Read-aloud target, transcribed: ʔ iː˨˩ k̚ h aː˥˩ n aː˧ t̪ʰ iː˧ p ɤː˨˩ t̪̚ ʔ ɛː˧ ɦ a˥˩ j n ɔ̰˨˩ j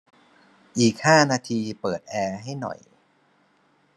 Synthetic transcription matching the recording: ʔ iː˨˩ k̚ h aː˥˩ n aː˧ t̪ʰ iː˧ p ɤː˨˩ t̪̚ ʔ ɛː˧ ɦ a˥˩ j n ɔ̰˨˩ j